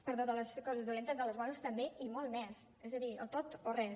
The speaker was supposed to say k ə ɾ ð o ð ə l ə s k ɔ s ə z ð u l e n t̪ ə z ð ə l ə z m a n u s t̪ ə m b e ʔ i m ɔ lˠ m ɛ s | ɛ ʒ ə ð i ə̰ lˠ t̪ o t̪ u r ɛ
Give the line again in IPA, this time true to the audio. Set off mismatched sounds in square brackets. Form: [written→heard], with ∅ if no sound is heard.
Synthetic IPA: [k→p] ə ɾ ð o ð ə l ə s k ɔ [s→z] ə z ð u l e n t̪ ə z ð ə l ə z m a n u s t̪ ə m b e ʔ i m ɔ lˠ m ɛ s | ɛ [ʒ→z] ə ð i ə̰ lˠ t̪ o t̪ [u→o] r ɛ